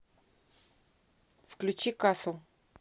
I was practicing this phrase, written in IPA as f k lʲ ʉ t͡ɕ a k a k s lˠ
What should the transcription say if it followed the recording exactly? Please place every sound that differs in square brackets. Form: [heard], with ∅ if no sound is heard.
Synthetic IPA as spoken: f k lʲ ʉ t͡ɕ [i] k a [∅] s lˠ